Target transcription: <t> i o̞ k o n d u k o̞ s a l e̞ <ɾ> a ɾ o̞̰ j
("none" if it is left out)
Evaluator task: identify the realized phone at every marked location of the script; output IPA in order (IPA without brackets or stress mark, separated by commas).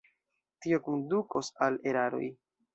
t, ɾ